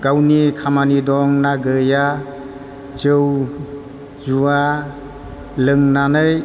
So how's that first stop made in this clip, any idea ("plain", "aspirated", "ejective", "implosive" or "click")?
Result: plain